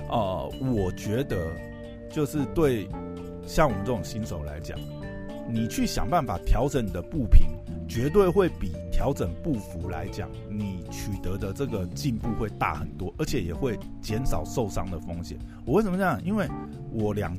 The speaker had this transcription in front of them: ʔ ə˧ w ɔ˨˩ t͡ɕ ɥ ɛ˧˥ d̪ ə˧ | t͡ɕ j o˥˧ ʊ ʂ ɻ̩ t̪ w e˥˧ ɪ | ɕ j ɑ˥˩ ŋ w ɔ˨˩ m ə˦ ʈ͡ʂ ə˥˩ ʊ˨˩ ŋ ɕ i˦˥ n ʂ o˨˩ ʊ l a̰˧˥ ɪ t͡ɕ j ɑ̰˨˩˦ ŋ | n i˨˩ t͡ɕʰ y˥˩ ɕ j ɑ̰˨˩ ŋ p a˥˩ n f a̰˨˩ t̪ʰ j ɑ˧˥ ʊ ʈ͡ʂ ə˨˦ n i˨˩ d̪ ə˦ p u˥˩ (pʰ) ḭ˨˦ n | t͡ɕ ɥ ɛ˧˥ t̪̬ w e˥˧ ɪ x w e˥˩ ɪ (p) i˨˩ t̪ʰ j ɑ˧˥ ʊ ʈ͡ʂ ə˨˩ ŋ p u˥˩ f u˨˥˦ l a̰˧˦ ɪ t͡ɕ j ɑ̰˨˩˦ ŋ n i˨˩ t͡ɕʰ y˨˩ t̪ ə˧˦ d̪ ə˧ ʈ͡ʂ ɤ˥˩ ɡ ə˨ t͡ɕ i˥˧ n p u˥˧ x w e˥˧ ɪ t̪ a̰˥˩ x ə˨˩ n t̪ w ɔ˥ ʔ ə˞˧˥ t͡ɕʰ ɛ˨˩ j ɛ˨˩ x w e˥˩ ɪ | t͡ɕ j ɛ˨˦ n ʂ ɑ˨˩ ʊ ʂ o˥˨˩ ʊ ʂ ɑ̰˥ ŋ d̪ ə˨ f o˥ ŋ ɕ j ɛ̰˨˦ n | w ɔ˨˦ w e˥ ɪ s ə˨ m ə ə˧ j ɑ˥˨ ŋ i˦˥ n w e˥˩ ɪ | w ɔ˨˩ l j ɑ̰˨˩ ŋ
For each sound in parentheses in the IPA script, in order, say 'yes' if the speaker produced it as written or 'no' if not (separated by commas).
yes, yes